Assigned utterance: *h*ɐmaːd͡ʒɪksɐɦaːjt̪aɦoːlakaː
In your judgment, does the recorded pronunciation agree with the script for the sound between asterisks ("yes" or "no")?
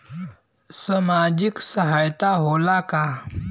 no